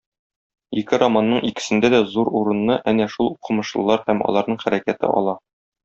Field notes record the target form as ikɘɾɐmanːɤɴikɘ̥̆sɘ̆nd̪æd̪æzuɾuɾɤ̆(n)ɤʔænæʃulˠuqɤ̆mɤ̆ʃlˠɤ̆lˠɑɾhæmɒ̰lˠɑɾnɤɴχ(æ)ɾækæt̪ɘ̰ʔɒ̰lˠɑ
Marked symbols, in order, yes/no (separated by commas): no, yes